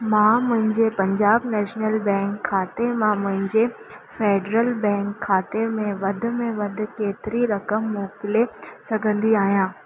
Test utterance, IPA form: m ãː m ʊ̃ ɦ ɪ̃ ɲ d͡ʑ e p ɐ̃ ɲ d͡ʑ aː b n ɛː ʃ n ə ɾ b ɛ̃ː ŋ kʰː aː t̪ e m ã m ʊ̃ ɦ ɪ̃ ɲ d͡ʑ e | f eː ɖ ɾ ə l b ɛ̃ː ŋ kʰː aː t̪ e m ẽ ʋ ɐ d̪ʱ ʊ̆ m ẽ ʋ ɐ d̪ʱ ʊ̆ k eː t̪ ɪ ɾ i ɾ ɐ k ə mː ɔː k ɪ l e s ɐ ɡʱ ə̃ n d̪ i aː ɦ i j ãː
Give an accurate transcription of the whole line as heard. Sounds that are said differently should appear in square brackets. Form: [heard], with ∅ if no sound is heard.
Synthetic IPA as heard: m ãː m ʊ̃ ɦ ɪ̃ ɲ d͡ʑ e p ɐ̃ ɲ d͡ʑ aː b n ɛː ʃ n ə [l] b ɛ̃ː ŋ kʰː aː t̪ e m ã m ʊ̃ ɦ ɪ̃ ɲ d͡ʑ e | f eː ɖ ɾ ə l b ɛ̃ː ŋ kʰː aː t̪ e m ẽ ʋ ɐ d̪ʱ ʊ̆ m ẽ ʋ ɐ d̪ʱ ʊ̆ k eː t̪ ɪ ɾ i ɾ ɐ k ə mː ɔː k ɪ l e s ɐ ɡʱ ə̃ n d̪ i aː ɦ i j ãː